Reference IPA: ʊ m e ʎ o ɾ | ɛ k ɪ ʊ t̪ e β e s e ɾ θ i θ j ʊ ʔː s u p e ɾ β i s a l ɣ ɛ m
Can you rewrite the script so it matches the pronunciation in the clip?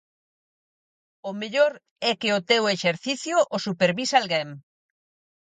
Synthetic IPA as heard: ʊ m e ʎ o ɾ | ɛ k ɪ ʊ t̪ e w e ʃ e ɾ θ i θ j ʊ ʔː s u p e ɾ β i s a l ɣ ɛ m